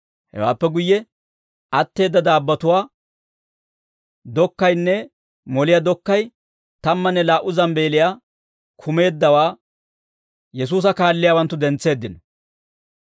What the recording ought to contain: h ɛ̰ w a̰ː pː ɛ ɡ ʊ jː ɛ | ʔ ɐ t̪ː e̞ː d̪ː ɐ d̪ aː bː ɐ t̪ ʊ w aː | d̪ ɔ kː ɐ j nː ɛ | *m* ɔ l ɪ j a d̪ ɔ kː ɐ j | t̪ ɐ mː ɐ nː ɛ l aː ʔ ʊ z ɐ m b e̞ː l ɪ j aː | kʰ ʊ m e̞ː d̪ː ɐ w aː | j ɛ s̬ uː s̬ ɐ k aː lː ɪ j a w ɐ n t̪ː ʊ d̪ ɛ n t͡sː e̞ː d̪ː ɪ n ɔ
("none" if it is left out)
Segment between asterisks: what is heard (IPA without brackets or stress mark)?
m